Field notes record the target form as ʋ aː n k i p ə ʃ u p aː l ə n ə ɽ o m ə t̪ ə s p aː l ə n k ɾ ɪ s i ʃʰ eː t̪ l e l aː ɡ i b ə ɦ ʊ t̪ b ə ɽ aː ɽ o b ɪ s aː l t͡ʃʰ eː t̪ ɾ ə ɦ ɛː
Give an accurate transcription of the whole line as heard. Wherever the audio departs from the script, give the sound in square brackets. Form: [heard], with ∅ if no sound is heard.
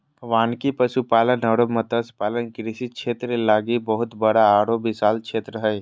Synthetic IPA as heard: ʋ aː n k i p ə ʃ u p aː l ə n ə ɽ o m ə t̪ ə s p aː l ə n k ɾ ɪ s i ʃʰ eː t̪ [ɾ] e l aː ɡ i b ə ɦ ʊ t̪ b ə ɽ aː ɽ o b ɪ s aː l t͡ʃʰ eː t̪ ɾ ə ɦ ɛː